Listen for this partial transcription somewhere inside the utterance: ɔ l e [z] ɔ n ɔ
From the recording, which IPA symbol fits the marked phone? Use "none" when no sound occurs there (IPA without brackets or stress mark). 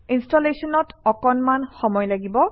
s